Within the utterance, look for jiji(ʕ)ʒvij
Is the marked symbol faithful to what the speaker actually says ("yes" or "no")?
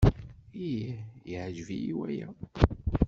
yes